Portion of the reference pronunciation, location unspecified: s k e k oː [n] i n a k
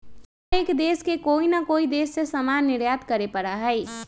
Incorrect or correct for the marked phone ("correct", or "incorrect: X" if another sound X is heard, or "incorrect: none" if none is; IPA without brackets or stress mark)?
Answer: incorrect: none